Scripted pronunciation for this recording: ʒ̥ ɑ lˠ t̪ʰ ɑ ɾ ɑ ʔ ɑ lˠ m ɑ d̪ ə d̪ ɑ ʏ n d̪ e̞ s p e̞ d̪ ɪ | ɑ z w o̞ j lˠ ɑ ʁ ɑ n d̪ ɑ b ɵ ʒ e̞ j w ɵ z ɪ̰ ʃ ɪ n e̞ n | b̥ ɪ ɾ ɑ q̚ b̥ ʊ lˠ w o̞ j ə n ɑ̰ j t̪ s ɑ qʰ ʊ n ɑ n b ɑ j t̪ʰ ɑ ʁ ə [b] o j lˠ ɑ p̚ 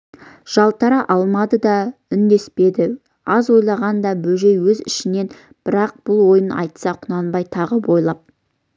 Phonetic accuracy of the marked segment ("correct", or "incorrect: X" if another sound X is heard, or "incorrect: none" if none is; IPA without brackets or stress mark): correct